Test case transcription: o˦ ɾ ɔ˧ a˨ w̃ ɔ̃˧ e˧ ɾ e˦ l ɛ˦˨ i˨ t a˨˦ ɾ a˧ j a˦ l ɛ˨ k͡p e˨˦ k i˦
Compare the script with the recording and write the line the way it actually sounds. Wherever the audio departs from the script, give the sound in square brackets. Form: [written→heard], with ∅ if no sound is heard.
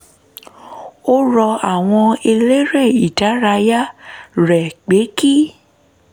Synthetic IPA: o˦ ɾ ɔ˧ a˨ w̃ ɔ̃˧ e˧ [ɾ→l] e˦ [l→ɾ] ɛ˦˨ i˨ t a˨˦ ɾ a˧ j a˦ [l→ɾ] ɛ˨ k͡p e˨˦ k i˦